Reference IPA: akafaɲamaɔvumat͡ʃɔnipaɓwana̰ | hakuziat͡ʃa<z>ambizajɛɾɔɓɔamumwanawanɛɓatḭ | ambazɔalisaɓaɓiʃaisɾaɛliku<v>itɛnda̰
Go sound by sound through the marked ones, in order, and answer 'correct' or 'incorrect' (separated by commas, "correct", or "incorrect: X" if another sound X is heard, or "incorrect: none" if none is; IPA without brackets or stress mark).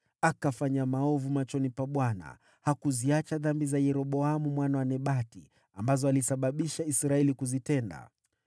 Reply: incorrect: ð, incorrect: z